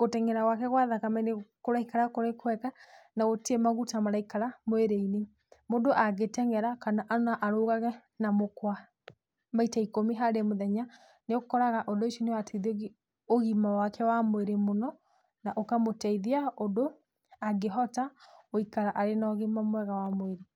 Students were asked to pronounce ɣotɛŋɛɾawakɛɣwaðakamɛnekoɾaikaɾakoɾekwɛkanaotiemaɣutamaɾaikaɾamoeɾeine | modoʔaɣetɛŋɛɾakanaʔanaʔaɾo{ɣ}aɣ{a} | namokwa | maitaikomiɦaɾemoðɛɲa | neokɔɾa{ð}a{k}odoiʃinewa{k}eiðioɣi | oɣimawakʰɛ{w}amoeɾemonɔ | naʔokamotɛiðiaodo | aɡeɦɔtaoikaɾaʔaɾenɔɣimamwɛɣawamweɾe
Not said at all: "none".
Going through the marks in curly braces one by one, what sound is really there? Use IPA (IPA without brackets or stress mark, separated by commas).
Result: ɣ, ɛ, ɣ, ʔ, t, w